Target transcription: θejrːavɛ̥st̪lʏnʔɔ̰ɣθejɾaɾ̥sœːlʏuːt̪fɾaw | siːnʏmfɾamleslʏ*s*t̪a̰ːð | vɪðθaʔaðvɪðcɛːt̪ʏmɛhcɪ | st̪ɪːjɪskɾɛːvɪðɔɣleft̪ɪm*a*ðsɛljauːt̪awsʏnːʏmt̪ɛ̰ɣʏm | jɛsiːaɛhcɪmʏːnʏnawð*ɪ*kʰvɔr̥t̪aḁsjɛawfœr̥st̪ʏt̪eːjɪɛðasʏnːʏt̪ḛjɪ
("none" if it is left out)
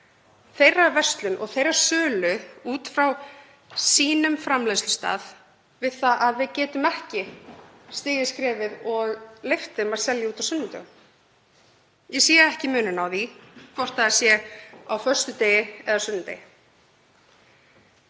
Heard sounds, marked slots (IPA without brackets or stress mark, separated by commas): s, a, i